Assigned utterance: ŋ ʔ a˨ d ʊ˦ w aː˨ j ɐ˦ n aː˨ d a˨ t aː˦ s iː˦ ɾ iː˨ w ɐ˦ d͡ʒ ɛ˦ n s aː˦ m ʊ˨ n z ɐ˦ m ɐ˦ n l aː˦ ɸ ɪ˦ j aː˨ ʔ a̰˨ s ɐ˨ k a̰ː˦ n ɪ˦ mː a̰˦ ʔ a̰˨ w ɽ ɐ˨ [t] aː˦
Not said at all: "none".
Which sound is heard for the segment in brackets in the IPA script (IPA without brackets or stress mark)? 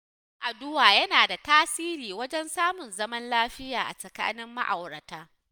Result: t